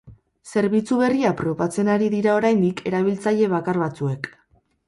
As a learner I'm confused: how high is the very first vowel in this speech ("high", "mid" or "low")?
mid